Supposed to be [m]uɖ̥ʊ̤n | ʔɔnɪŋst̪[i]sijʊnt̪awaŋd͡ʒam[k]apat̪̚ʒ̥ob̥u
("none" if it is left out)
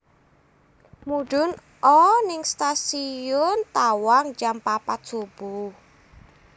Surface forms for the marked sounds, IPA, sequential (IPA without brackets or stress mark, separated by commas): m, a, p